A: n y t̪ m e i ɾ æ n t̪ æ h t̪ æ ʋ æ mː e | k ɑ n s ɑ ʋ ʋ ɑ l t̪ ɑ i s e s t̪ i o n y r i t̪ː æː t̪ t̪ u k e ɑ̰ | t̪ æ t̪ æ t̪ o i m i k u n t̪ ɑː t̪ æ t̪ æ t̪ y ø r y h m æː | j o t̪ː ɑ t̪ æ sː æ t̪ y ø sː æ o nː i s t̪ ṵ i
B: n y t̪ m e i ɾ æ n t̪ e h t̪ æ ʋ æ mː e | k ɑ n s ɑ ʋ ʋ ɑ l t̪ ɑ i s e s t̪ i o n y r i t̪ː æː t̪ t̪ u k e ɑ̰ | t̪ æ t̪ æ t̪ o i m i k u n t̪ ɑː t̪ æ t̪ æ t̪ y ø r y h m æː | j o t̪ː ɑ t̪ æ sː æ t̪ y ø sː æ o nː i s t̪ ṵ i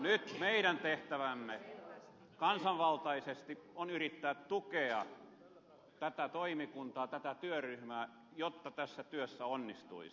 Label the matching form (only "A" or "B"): B